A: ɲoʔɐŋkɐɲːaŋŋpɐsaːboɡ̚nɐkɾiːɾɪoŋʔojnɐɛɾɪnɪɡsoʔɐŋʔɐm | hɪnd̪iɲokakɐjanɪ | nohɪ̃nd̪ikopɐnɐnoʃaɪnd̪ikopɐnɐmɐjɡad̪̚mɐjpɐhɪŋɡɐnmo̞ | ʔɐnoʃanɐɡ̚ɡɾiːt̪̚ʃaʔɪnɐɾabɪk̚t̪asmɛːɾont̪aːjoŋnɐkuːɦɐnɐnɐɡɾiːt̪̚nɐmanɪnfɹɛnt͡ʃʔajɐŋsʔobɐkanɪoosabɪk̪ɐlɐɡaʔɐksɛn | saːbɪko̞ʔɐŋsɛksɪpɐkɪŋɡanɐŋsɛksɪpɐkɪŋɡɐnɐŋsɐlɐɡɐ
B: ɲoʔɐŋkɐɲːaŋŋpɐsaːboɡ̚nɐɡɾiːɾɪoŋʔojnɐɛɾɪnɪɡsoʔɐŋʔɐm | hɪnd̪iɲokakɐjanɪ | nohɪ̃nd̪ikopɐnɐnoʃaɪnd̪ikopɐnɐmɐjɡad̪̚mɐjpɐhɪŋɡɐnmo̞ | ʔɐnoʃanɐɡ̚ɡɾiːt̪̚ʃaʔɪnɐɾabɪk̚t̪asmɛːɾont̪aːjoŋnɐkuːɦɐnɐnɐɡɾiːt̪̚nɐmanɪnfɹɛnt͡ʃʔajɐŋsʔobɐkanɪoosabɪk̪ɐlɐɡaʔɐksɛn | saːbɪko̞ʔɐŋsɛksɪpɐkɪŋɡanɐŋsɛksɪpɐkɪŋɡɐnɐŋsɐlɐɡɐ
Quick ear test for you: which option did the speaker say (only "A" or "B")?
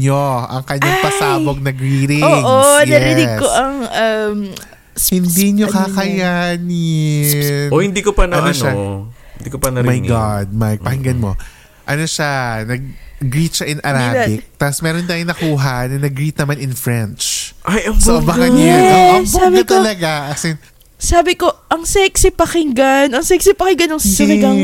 B